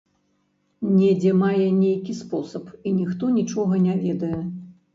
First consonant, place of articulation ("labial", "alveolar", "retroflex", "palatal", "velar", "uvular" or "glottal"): alveolar